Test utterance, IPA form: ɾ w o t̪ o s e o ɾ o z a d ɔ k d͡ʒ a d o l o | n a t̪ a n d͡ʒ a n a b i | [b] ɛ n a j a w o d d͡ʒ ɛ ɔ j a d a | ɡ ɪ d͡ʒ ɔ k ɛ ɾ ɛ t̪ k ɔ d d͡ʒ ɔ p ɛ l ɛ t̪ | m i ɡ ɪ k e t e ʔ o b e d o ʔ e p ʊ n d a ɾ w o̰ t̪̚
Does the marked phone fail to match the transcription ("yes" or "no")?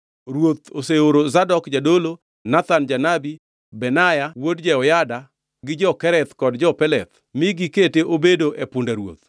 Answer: no